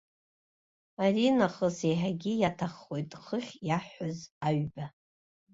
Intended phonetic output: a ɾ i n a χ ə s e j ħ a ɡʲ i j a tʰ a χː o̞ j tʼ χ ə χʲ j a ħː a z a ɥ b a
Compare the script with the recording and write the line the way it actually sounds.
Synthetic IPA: a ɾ i n a χ ə s e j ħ a ɡʲ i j a tʰ a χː o̞ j tʼ χ ə χʲ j a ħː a z a ɥ b a